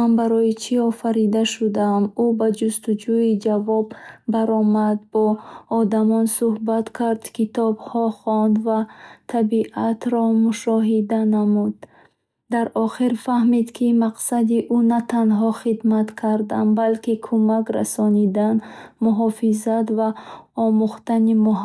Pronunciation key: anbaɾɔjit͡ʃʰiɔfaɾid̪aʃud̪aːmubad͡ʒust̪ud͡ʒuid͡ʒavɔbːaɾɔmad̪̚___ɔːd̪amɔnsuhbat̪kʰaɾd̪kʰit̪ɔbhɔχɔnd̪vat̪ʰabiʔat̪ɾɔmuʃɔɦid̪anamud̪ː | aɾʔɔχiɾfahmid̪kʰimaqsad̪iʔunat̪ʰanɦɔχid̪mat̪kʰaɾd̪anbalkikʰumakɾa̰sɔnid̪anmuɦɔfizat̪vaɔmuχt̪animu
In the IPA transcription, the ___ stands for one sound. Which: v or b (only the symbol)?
b